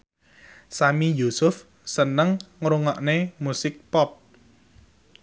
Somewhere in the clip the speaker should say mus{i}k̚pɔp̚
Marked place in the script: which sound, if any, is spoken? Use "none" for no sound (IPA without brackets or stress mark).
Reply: ɪ